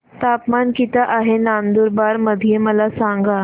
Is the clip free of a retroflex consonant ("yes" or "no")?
yes